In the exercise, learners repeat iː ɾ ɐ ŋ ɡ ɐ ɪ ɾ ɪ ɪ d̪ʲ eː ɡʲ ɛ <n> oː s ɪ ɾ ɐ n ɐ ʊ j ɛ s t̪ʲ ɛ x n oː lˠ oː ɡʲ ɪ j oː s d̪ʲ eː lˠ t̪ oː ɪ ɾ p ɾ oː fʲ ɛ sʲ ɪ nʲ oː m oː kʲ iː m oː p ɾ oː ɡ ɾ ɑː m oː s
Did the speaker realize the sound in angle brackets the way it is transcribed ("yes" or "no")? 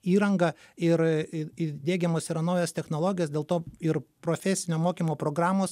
no